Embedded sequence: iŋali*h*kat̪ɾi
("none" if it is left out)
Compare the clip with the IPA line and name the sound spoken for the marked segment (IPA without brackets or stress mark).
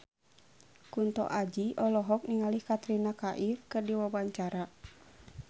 h